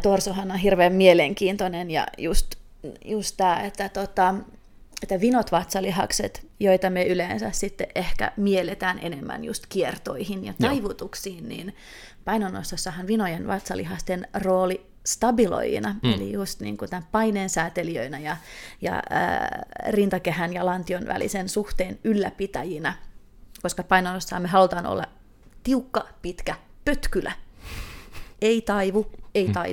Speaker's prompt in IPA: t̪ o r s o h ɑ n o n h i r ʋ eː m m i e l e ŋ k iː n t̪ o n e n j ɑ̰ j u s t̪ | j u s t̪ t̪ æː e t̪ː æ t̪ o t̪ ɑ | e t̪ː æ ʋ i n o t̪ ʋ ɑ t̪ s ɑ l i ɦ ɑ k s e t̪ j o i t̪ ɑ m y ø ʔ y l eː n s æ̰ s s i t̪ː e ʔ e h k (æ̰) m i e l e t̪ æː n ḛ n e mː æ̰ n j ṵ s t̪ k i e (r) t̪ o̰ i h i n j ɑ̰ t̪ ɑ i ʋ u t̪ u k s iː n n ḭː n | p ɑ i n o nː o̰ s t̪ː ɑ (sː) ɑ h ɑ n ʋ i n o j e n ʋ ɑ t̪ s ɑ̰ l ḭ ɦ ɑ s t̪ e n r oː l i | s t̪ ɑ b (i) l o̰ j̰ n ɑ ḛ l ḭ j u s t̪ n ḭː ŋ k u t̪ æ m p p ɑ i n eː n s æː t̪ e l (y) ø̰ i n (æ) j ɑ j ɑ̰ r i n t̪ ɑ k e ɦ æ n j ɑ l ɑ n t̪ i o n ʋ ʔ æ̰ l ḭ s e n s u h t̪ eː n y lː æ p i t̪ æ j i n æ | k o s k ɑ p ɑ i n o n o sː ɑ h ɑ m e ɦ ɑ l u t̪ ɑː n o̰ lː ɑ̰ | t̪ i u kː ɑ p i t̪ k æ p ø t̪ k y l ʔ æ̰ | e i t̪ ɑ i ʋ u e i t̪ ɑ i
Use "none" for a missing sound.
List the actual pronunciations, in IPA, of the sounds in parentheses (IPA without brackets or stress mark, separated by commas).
æ̰, r, sː, i, i, æ